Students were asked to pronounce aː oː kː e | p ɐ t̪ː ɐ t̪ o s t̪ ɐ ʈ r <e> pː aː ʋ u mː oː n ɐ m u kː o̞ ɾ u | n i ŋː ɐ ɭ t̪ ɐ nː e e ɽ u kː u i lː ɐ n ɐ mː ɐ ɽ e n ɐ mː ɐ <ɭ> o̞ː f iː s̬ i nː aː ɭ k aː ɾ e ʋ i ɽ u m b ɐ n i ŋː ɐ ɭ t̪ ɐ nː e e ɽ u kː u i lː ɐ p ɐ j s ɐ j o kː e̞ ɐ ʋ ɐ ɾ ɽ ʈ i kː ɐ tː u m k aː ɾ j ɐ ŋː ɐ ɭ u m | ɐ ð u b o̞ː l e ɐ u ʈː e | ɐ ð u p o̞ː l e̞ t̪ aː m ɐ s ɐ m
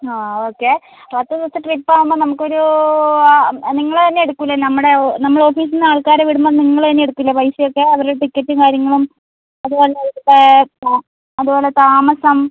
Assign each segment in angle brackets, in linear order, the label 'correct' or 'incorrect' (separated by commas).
incorrect, correct